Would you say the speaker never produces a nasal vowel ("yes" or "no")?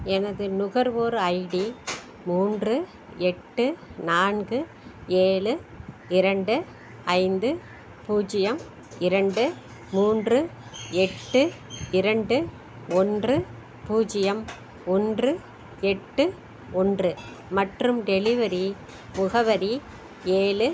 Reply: yes